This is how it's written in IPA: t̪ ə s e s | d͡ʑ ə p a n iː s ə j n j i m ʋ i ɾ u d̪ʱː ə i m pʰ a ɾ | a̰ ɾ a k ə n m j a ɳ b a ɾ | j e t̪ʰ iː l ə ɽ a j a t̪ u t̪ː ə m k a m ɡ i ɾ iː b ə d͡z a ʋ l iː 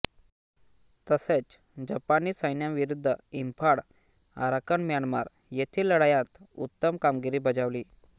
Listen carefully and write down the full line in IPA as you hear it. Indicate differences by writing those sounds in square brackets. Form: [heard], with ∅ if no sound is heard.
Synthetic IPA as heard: t̪ ə s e [t͡s] | d͡ʑ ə p a n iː s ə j n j [a] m ʋ i ɾ u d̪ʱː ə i m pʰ a [ɽ] | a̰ ɾ a k ə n m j a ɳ [m] a ɾ | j e t̪ʰ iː l ə ɽ a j a t̪ u t̪ː ə m k a m ɡ i ɾ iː b ə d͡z a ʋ l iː